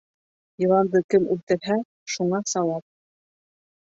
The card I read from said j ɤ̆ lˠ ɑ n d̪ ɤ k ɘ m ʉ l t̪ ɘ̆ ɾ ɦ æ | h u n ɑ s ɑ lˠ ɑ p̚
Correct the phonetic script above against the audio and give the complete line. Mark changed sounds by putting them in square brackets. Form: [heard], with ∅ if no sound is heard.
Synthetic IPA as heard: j ɤ̆ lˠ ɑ n d̪ ɤ k ɘ m ʉ l t̪ ɘ̆ ɾ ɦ æ | [ʃ] u [ɴ] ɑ s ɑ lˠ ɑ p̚